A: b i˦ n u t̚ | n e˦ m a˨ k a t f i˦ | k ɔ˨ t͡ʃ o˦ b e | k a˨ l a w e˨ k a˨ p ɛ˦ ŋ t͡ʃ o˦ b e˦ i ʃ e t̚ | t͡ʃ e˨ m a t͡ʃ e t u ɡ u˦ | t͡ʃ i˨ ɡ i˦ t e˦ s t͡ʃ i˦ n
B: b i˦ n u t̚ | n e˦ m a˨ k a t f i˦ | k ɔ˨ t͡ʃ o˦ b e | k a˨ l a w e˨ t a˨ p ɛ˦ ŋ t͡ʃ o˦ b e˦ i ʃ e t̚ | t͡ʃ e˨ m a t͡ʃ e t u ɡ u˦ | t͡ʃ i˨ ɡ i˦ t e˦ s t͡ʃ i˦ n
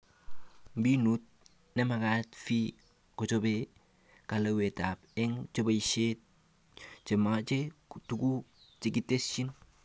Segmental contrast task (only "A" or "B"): B